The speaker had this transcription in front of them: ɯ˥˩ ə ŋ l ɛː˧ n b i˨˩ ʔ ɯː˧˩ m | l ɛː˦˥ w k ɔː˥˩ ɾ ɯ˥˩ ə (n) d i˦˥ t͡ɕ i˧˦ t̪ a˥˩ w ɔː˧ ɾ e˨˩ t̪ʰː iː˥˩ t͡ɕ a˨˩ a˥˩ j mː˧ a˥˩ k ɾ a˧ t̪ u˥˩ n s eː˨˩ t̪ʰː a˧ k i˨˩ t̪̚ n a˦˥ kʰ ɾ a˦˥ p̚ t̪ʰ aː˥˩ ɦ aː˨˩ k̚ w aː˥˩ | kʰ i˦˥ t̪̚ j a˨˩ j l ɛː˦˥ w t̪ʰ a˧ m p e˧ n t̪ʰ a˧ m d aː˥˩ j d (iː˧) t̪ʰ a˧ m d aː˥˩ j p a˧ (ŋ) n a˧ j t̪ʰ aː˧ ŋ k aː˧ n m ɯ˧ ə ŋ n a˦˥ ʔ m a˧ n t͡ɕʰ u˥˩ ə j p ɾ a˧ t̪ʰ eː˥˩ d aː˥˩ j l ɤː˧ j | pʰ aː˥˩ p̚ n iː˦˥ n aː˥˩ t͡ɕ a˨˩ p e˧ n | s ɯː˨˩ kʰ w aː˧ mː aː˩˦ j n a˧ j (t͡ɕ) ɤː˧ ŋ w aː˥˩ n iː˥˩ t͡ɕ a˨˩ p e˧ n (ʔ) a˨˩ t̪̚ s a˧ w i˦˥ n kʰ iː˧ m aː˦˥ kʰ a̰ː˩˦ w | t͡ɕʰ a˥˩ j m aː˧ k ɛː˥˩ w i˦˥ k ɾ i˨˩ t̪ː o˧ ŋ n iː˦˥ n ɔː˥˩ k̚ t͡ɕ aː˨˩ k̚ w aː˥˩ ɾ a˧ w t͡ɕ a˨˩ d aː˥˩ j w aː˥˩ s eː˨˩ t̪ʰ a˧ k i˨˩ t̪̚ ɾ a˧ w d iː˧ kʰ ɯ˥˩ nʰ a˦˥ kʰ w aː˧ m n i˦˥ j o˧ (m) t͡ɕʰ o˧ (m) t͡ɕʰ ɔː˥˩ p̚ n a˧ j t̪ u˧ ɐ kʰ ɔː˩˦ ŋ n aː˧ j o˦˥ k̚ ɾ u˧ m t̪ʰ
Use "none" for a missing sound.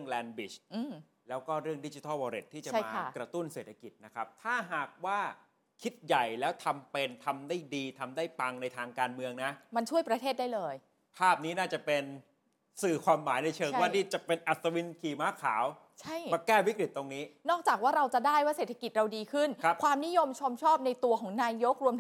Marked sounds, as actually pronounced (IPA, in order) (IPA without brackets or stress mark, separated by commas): ŋ, iː˧, ŋ, t͡ɕʰ, ʔ, m, m